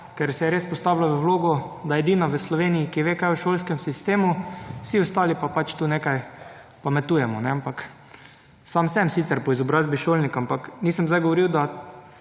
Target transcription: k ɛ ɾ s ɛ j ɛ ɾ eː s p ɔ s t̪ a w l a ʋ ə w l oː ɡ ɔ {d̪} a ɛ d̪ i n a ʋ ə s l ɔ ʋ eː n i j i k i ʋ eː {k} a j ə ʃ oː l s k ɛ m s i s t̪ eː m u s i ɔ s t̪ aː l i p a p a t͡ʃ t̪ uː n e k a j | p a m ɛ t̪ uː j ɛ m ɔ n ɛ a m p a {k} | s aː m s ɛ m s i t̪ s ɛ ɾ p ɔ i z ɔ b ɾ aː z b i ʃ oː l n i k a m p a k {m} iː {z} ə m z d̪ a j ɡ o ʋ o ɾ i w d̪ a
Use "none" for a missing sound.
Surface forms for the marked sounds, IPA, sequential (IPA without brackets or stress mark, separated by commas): d̪, k, k, n, s